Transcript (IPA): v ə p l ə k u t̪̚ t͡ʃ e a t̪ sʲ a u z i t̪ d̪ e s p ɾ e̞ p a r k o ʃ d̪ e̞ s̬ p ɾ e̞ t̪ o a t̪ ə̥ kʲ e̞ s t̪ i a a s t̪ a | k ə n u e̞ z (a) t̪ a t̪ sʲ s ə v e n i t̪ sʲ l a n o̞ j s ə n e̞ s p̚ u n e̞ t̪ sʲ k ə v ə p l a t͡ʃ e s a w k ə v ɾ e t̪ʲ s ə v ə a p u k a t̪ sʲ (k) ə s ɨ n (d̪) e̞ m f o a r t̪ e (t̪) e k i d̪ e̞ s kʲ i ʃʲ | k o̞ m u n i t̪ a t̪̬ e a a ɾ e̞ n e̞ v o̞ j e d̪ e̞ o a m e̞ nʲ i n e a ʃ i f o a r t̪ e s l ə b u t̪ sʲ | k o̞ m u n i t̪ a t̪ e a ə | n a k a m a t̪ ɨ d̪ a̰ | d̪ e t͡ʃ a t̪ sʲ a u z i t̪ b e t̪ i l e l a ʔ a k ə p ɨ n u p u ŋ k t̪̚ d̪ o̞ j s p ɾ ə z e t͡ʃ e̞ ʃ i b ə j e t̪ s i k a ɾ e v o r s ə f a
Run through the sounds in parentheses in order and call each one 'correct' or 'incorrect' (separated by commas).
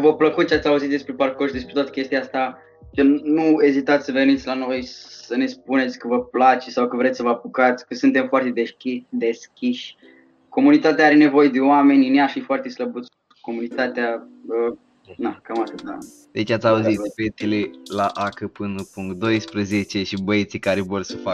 incorrect, correct, incorrect, incorrect